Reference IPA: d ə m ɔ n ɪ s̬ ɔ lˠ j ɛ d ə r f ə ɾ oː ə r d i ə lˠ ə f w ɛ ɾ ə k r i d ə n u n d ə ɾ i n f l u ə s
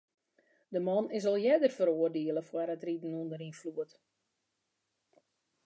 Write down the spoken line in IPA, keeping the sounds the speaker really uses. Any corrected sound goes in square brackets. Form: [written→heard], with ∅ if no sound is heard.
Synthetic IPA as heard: d ə m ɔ n ɪ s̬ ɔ lˠ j ɛ d ə r f ə ɾ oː ə r d i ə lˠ ə f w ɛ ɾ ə [k→t] r i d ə n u n d ə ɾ i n f l u ə [s→t]